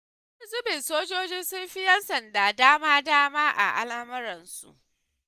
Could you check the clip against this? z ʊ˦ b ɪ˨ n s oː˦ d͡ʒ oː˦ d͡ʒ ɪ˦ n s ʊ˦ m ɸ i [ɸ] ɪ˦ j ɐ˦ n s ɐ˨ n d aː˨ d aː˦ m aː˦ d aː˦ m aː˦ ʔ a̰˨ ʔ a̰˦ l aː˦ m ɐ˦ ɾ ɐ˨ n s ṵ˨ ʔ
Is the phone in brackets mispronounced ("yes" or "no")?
yes